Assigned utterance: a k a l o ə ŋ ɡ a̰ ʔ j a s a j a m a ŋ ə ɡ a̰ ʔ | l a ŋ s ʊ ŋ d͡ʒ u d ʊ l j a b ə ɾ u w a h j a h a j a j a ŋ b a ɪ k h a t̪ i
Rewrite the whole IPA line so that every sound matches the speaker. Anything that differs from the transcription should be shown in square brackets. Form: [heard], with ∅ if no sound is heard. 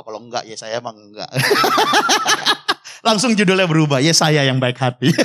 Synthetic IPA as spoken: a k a l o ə ŋ ɡ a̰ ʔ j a s a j a m a ŋ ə ɡ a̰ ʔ | l a ŋ s ʊ ŋ d͡ʒ u d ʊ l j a b ə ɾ u [b] a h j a [s] a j a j a ŋ b a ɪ k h a t̪ i